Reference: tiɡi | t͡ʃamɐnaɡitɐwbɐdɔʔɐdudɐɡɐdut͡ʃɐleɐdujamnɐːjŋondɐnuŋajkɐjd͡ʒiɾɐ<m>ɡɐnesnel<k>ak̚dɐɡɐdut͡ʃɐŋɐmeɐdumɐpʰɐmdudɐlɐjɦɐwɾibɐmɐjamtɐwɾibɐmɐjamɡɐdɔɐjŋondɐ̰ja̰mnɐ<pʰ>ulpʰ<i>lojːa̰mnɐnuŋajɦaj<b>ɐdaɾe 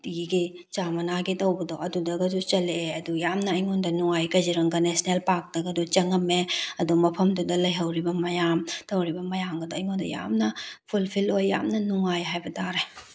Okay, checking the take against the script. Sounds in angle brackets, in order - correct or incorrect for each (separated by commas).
incorrect, incorrect, correct, correct, correct